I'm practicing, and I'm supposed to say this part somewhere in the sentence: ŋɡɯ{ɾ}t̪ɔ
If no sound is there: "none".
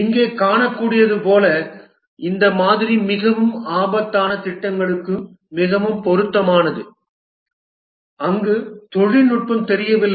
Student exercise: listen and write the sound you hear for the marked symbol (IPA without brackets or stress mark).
none